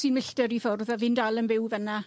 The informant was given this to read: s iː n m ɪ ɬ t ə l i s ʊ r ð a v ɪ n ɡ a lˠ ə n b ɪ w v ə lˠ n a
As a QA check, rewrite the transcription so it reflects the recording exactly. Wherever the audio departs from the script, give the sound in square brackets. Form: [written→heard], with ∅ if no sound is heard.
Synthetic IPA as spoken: s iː n m ɪ ɬ t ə [l→ɾ] i [s→f] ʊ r ð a v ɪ n [ɡ→d] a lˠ ə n b ɪ w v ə [lˠ→∅] n a